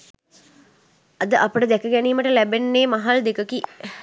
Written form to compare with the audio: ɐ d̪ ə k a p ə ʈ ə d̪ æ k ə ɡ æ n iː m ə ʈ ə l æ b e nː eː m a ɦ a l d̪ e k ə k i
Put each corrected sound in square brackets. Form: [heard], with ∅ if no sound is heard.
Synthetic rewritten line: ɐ d̪ ə [ʔ] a p ə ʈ ə d̪ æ k ə ɡ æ n iː m ə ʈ ə l æ b e nː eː m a ɦ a l d̪ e k ə k i

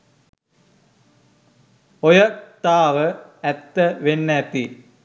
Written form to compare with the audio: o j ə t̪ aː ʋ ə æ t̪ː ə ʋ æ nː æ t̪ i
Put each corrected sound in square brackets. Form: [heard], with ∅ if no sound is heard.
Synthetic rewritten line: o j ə t̪ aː ʋ ə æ t̪ː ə ʋ [e] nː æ t̪ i

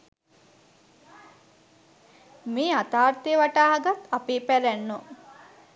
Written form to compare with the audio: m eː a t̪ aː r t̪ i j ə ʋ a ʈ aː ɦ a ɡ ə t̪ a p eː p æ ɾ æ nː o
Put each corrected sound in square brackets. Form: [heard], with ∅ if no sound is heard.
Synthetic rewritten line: m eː a t̪ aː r t̪ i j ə ʋ a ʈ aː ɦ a ɡ [a] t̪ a p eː p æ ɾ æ nː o

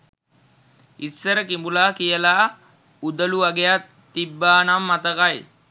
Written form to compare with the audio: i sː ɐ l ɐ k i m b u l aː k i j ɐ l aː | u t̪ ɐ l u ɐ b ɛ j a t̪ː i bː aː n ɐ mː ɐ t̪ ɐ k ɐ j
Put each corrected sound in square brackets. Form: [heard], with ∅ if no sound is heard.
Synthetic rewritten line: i sː ɐ [ɾ] ɐ k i m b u l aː k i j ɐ l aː | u [d̪] ɐ l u ɐ [ɡ] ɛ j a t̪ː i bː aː n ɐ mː ɐ t̪ ɐ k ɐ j

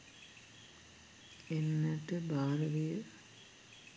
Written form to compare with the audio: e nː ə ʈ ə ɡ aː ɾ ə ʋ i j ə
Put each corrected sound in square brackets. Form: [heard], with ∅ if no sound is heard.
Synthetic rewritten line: e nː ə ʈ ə [b] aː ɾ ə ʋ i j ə

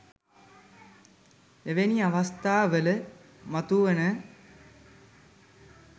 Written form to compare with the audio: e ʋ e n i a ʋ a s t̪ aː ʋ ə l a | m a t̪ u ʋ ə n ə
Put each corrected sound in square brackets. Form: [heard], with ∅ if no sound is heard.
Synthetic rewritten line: e ʋ e n i a ʋ a s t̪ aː ʋ ə l [ə] | m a t̪ u ʋ ə n ə

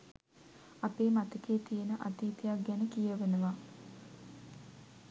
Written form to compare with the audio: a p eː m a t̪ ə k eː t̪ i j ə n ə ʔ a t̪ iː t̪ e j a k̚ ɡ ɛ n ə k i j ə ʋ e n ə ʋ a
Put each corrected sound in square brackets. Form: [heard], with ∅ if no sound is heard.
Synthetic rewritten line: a p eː m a t̪ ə k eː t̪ i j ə n ə ʔ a t̪ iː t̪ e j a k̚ ɡ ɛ n ə k i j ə ʋ e n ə ʋ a

